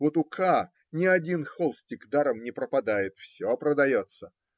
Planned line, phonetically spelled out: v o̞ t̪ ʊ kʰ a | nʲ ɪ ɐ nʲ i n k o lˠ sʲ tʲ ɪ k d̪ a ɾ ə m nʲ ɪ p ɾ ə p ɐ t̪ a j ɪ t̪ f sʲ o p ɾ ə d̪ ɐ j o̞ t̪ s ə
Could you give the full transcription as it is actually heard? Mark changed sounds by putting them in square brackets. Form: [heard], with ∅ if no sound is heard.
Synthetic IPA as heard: v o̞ t̪ ʊ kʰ a | nʲ ɪ ɐ [dʲ] i n [x] o lˠ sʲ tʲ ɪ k d̪ a ɾ ə m nʲ ɪ p ɾ ə p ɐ [d̪] a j ɪ t̪ f sʲ o p ɾ ə d̪ ɐ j o̞ t̪ s ə